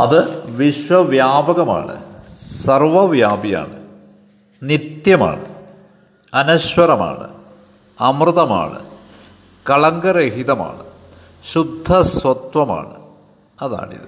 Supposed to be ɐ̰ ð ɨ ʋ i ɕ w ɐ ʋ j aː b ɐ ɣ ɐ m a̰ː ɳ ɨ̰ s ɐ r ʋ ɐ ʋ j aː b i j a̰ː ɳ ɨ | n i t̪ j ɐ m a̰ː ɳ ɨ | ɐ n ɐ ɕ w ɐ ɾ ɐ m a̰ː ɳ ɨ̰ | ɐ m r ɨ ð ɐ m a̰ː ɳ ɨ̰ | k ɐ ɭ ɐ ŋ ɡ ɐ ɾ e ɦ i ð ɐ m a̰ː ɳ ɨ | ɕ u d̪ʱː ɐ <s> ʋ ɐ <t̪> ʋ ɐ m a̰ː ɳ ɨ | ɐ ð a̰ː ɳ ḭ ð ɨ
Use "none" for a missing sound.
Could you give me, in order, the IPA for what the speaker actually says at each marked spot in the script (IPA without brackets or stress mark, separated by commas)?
s, t̪